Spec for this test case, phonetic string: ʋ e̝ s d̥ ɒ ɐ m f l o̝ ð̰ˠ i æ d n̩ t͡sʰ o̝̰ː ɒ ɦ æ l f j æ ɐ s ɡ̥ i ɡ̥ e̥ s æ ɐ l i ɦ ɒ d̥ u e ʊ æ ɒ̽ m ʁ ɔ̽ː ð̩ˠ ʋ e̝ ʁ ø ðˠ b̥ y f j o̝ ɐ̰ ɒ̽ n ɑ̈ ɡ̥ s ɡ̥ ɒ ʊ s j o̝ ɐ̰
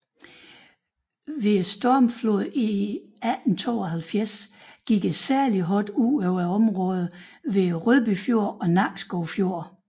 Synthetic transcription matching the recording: ʋ e̝ s d̥ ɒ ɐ m f l o̝ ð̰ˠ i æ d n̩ t͡sʰ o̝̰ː ɒ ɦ æ l f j æ ɐ s ɡ̥ i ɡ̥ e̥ s æ ɐ l i ɦ ɒ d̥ u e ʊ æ ɒ̽ m ʁ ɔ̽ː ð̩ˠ ʋ e̝ ʁ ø ðˠ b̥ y f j o̝ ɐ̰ ɒ̽ n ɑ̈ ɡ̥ s ɡ̥ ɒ ʊ f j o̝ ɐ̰